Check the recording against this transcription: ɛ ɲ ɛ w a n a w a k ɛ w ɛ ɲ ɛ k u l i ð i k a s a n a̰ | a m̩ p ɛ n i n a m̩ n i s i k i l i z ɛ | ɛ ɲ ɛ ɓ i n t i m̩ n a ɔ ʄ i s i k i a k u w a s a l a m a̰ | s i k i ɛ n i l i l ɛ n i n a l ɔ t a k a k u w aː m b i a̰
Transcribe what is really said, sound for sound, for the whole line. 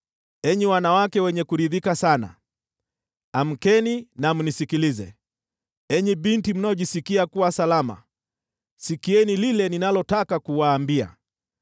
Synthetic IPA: ɛ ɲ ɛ w a n a w a k ɛ w ɛ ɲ ɛ k u ɾ i ð i k a s a n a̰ | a m̩ k ɛ n i n a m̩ n i s i k i l i z ɛ | ɛ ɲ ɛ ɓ i n t i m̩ n a ɔ ʄ i s i k i a k u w a s a l a m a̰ | s i k i ɛ n i l i l ɛ n i n a l ɔ t a k a k u w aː m b i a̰